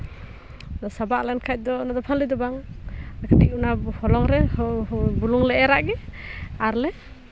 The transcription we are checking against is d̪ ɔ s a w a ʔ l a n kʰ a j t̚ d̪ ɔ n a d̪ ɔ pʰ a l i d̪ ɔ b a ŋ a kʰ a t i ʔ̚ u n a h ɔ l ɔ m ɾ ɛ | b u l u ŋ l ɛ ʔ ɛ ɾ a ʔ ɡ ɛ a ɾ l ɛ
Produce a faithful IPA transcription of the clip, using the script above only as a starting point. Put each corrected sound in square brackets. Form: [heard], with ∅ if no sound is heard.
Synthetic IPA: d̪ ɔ s a [b] a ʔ l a n kʰ a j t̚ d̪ ɔ n a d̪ ɔ pʰ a l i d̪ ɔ b a ŋ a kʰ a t i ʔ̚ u n a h ɔ l ɔ [ŋ] ɾ ɛ | b u l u ŋ l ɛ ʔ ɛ ɾ a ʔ ɡ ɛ a ɾ l ɛ